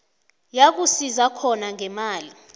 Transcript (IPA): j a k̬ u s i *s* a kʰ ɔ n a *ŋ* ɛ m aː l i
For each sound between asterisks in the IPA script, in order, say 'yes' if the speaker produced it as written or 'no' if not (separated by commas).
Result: no, yes